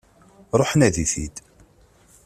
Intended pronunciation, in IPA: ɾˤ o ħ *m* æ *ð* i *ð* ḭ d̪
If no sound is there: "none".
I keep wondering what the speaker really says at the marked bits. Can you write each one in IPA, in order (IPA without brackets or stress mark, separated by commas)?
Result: n, ð, θ